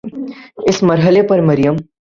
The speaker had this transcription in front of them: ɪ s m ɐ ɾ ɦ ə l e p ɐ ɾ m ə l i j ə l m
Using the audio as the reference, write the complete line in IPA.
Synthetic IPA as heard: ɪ s m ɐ ɾ ɦ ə l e p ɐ ɾ m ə ɾ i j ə m